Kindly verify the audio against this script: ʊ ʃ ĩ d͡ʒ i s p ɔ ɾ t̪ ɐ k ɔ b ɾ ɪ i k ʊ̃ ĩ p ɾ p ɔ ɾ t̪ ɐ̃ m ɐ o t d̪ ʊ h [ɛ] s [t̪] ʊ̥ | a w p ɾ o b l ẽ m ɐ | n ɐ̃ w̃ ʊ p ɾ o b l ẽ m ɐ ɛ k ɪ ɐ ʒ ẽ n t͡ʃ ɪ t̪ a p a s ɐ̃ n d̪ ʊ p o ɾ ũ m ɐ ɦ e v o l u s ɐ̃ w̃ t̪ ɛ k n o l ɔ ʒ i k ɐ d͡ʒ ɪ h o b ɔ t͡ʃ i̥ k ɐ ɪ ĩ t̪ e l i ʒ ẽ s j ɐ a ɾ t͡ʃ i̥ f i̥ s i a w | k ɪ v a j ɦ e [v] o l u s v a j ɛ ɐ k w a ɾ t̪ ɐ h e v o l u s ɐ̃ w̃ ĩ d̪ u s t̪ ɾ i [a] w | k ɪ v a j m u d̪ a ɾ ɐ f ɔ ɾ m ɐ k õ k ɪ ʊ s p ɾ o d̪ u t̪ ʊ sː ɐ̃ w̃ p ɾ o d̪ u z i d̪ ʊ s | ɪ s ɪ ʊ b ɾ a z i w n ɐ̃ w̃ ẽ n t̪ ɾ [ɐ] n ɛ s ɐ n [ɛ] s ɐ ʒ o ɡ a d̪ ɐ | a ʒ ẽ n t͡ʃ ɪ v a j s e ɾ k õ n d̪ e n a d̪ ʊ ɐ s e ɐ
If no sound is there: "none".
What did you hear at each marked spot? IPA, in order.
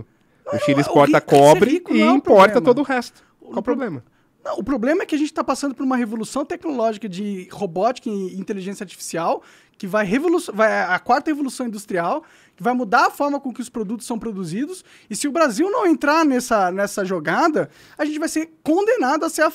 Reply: ɛ, t̪, v, a, a, ɛ

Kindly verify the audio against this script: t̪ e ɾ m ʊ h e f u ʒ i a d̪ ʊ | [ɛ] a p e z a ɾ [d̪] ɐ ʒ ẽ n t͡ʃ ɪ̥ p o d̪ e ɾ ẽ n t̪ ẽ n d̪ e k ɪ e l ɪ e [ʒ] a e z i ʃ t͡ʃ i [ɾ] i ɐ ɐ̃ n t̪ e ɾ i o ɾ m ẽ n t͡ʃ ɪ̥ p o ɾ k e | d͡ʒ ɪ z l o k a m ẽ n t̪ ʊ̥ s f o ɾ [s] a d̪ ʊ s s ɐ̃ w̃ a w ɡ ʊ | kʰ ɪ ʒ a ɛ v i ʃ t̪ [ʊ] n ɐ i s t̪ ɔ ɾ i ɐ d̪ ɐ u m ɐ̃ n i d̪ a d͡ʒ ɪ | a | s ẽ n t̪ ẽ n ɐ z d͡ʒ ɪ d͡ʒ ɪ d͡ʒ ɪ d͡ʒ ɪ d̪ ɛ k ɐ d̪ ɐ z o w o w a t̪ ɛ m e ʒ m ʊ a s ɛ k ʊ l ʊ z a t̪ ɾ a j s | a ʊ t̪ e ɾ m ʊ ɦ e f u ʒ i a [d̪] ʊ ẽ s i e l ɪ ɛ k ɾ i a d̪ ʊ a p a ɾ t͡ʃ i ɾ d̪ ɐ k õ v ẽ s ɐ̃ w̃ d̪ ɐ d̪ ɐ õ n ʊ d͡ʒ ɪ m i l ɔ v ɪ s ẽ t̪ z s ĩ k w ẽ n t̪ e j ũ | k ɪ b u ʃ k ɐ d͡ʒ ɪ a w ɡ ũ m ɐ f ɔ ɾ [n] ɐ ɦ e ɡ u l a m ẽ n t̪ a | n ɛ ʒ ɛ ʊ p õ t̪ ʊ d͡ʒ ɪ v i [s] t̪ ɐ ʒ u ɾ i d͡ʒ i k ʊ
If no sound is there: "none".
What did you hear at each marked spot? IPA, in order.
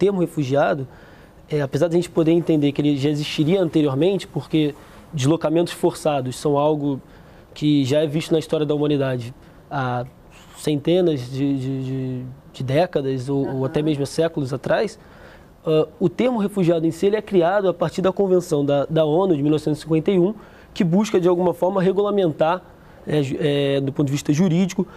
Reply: ɛ, d̪, ʒ, ɾ, s, ʊ, d̪, m, ʃ

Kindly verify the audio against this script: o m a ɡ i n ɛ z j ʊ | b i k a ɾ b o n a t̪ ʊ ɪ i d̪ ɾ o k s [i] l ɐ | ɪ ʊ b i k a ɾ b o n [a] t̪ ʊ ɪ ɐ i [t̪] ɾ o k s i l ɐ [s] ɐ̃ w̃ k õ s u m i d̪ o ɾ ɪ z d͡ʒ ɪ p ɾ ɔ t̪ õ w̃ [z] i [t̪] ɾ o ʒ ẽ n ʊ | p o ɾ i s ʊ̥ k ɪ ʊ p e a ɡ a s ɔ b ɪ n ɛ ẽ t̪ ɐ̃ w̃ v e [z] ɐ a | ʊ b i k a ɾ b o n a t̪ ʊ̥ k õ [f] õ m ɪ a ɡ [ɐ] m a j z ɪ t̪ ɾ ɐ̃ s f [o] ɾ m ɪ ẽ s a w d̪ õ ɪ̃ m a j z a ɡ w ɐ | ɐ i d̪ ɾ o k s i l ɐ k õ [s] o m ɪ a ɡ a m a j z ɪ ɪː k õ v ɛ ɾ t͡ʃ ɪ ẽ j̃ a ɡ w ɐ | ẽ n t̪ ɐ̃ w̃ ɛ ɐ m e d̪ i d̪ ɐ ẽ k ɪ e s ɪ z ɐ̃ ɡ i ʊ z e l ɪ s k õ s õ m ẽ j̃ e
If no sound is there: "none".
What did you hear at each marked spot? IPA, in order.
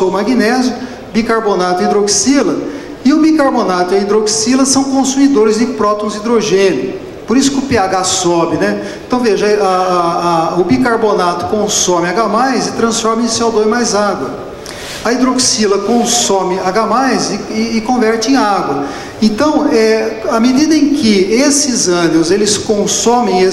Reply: i, a, d̪, s, z, d̪, ʒ, s, a, ɔ, s

